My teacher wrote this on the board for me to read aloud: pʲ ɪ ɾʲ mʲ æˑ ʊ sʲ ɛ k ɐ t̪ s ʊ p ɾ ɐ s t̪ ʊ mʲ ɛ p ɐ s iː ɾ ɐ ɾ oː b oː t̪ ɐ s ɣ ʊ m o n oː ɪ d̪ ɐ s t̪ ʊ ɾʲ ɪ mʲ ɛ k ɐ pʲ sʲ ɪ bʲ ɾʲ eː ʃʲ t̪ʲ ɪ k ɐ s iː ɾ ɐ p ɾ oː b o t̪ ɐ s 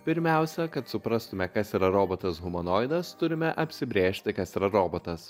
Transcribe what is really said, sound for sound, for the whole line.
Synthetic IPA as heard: pʲ ɪ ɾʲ mʲ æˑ ʊ sʲ ɛ k ɐ t̪ s ʊ p ɾ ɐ s t̪ ʊ mʲ ɛ k ɐ s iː ɾ ɐ ɾ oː b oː t̪ ɐ s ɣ ʊ m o n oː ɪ d̪ ɐ s t̪ ʊ ɾʲ ɪ mʲ ɛ ʔ ɐ pʲ sʲ ɪ bʲ ɾʲ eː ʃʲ t̪ʲ ɪ k ɐ s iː ɾ ɐ ɾ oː b o t̪ ɐ s